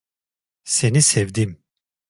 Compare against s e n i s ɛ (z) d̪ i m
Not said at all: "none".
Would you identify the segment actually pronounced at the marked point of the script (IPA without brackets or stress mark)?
v